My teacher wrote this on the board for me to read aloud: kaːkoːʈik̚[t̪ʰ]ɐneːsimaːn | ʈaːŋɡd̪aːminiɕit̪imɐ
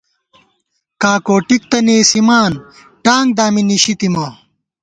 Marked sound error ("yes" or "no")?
yes